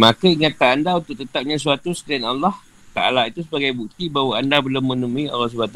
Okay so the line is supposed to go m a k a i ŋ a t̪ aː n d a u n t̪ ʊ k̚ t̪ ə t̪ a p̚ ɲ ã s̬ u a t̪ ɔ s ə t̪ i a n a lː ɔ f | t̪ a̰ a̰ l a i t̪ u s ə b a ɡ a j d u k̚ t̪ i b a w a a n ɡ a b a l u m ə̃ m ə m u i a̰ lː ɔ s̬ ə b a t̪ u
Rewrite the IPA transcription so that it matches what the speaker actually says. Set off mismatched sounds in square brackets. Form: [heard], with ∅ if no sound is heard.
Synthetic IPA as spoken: m a k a i ŋ a t̪ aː n d a u n t̪ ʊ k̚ t̪ ə t̪ a p̚ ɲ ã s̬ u a t̪ [u] s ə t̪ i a n a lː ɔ [h] | t̪ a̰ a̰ l a i t̪ u s ə b a ɡ a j [b] u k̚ t̪ i b a w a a n [d] a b [ə] l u m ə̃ [n] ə m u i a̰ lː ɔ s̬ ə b a t̪ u